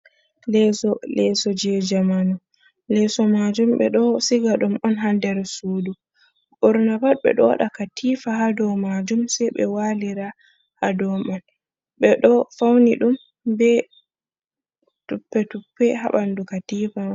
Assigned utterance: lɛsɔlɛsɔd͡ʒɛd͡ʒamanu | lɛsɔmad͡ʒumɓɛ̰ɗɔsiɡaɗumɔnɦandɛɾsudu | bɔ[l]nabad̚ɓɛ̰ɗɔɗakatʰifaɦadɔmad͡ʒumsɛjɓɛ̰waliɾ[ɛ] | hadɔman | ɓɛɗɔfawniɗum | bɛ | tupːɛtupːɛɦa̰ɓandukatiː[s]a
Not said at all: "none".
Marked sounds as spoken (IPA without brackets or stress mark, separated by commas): ɾ, a, f